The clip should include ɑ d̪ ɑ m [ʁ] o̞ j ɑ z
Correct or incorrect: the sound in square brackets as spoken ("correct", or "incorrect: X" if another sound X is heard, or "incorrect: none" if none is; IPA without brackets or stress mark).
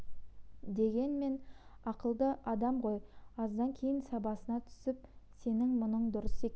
correct